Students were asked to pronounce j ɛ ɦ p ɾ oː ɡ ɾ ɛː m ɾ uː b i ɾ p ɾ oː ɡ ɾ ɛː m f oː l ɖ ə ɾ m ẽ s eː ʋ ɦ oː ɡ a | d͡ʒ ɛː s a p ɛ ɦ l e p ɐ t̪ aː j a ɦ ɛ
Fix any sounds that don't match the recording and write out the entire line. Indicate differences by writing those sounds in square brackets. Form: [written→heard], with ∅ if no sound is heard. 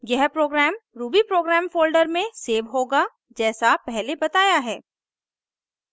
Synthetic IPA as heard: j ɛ ɦ p ɾ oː ɡ ɾ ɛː m ɾ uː b i [ɾ→∅] p ɾ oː ɡ ɾ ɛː m f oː l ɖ ə ɾ m ẽ s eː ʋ ɦ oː ɡ a | d͡ʒ ɛː s a p ɛ ɦ l e [p→b] ɐ t̪ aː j a ɦ [ɛ→ɛː]